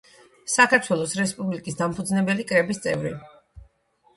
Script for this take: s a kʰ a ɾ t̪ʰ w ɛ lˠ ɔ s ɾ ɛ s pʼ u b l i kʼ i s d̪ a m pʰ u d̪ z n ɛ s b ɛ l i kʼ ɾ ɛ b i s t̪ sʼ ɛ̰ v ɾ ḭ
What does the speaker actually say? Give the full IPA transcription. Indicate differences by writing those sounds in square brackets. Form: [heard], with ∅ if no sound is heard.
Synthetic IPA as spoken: s a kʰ a ɾ t̪ʰ w ɛ lˠ ɔ s ɾ ɛ s pʼ u b l i kʼ i s d̪ a m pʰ u d̪ z n ɛ [∅] b ɛ l i kʼ ɾ ɛ b i s t̪ sʼ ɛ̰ v ɾ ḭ